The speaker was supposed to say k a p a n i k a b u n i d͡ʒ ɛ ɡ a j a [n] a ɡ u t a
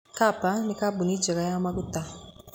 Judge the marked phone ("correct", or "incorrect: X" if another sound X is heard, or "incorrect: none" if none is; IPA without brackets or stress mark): incorrect: m